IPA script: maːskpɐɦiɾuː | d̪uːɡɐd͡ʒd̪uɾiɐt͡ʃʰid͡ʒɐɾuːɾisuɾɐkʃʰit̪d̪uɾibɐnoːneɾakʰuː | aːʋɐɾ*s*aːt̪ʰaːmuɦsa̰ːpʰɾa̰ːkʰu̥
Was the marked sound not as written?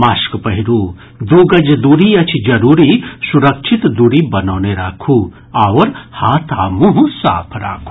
yes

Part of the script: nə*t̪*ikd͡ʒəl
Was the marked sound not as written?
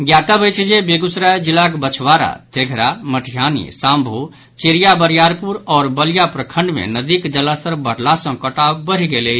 yes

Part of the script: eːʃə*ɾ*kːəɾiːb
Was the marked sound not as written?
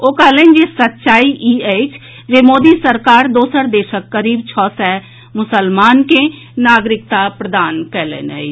yes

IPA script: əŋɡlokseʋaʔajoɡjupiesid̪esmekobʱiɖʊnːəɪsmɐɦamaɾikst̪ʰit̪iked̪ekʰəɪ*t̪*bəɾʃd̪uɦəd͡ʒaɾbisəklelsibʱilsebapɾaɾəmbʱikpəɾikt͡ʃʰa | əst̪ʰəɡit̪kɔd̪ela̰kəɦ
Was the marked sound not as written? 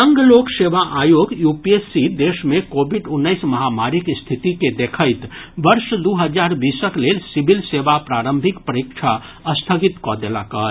no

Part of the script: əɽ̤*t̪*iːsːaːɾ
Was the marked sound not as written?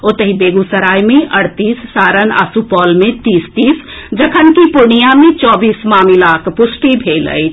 no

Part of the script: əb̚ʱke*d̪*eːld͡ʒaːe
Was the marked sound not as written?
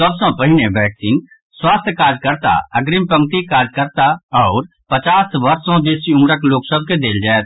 no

